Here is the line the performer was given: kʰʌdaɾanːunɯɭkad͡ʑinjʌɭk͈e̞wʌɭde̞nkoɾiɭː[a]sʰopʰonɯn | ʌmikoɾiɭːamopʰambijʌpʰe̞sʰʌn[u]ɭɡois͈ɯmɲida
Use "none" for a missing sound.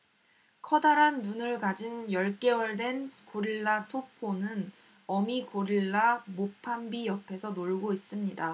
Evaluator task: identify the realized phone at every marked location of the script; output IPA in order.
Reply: a, o

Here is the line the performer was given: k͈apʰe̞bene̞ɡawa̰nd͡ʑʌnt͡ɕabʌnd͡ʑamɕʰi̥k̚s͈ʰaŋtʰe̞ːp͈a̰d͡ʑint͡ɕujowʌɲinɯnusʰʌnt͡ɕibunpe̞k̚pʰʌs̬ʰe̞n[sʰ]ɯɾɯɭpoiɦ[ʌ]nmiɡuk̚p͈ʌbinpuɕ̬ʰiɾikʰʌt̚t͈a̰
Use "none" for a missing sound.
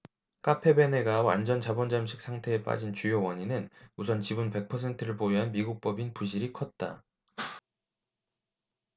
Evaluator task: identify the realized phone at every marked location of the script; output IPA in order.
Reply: tʰ, a

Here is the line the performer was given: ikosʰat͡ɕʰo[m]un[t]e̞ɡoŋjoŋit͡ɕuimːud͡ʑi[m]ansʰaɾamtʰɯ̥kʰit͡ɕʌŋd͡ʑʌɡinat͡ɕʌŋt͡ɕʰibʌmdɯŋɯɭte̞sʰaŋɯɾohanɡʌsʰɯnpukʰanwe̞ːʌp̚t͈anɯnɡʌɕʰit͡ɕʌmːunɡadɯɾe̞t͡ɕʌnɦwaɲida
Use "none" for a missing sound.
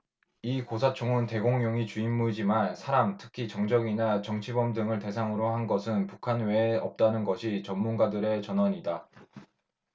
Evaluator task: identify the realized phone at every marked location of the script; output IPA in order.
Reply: ŋ, t, m

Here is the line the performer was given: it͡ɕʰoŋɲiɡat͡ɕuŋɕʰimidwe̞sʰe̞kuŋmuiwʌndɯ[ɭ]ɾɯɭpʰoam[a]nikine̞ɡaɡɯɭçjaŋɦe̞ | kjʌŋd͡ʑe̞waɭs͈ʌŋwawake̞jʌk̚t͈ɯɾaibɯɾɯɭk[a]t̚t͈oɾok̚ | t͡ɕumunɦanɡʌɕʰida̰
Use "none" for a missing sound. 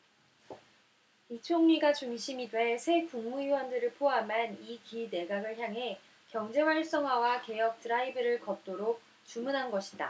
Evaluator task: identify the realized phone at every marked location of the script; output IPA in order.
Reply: none, a, ʌ

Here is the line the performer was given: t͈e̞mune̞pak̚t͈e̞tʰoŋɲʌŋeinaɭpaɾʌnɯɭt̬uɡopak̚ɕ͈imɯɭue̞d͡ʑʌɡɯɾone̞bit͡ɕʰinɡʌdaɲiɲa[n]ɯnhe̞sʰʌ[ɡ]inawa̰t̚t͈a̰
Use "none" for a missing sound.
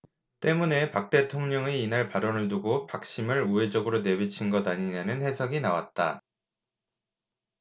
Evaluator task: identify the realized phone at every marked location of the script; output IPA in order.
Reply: n, ɡ

